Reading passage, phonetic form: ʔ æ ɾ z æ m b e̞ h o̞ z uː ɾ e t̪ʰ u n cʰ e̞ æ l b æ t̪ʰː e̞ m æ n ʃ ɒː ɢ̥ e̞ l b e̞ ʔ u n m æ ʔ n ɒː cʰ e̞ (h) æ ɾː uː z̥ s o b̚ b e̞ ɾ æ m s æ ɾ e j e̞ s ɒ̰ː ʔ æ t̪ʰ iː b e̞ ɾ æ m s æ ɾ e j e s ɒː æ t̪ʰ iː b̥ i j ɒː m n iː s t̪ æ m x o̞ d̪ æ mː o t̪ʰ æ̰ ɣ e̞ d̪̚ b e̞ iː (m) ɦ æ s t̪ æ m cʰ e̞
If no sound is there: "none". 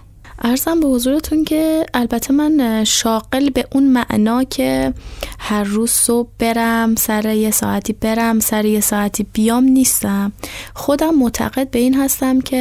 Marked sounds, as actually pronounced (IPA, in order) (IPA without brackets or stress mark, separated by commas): h, n